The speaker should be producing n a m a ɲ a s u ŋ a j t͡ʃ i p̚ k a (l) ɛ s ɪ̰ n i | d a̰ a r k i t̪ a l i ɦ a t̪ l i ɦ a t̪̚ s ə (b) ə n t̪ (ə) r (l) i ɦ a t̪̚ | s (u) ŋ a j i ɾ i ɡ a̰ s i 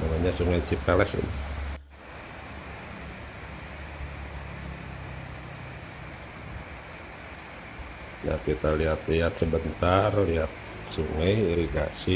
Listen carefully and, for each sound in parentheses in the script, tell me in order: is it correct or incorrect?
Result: correct, correct, incorrect, correct, correct

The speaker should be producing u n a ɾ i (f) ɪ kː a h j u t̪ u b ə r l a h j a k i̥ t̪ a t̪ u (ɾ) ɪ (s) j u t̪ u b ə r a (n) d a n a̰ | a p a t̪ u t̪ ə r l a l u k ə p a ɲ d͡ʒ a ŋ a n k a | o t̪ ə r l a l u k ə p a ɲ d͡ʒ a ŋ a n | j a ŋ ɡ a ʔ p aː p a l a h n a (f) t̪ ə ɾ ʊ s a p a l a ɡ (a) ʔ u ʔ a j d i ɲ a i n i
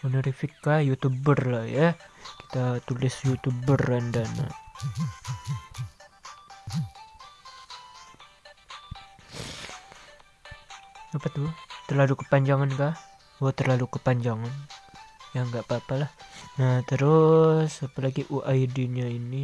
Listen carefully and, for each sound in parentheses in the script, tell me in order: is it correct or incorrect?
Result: correct, incorrect, correct, correct, incorrect, incorrect

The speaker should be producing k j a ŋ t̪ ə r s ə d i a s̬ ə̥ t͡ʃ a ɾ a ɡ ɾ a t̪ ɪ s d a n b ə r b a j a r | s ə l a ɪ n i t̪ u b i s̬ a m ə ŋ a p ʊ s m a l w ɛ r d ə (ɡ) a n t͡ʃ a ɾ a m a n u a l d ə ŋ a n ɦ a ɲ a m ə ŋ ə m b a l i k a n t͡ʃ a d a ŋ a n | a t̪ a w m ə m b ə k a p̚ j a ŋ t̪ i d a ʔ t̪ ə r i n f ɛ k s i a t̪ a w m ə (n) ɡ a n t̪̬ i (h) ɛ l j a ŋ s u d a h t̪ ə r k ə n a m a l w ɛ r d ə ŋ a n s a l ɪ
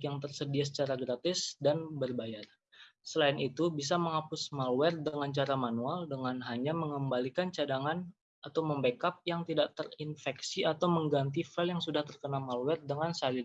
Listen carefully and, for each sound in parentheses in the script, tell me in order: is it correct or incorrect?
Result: incorrect, incorrect, incorrect

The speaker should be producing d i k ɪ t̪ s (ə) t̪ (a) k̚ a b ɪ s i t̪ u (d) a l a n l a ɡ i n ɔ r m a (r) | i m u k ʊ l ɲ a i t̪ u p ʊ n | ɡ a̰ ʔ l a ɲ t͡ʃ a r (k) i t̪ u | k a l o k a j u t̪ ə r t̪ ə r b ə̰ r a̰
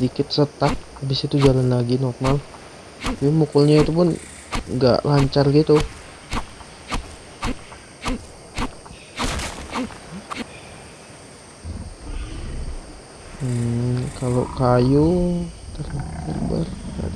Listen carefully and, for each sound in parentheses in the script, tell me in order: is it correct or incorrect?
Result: correct, correct, incorrect, incorrect, incorrect

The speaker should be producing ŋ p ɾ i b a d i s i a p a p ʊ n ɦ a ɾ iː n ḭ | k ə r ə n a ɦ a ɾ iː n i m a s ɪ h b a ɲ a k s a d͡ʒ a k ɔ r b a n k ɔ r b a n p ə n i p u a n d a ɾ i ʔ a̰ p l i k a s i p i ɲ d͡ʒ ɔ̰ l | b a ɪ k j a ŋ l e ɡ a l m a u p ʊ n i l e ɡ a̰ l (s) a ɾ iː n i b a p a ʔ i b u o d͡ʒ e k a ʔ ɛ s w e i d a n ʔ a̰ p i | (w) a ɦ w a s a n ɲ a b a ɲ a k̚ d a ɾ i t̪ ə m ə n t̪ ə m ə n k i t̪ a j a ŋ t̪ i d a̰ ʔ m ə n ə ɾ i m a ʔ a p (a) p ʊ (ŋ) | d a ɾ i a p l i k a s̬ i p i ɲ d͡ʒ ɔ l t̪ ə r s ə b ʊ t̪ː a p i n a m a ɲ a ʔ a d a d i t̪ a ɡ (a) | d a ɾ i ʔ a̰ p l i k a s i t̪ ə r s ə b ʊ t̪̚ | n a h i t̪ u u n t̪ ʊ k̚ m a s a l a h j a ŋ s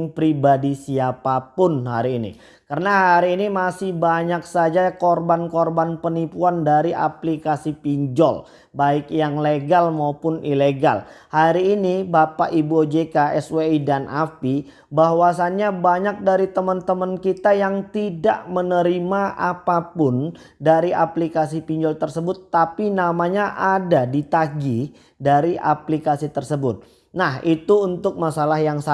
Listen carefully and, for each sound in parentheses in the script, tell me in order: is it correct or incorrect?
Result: incorrect, incorrect, correct, incorrect, incorrect

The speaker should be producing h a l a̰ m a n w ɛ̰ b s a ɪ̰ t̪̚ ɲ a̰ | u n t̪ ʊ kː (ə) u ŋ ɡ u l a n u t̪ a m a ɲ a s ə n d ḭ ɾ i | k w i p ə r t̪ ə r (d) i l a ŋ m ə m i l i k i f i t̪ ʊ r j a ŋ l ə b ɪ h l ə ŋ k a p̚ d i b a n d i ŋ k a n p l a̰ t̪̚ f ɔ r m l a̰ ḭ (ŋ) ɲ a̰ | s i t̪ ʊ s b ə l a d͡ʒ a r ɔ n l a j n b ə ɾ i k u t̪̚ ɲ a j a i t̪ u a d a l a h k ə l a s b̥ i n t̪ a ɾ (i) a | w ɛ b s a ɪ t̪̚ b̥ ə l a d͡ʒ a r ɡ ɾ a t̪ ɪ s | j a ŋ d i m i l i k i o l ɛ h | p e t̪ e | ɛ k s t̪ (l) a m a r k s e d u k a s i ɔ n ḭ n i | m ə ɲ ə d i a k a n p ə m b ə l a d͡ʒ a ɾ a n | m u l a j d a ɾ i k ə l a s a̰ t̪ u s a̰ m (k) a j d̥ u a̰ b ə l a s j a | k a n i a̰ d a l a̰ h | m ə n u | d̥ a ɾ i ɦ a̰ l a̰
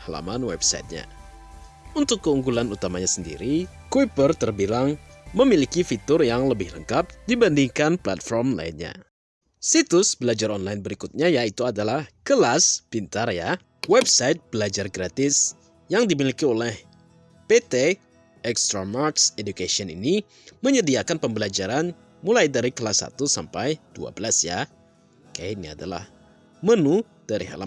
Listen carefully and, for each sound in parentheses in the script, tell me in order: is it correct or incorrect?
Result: correct, incorrect, incorrect, incorrect, incorrect, incorrect

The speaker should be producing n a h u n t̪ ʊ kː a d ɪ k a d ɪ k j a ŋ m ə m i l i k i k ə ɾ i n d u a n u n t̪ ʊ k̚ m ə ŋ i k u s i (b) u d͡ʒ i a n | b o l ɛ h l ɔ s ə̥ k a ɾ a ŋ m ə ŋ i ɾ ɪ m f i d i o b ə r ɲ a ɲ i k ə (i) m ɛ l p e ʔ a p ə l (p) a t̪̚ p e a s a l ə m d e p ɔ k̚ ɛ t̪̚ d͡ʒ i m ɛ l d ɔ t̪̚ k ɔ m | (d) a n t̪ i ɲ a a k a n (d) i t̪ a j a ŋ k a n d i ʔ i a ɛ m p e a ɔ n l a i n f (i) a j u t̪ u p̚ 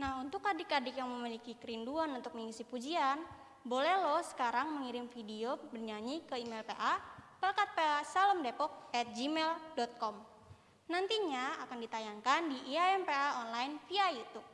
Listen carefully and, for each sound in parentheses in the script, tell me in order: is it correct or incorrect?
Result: incorrect, correct, incorrect, incorrect, correct, correct

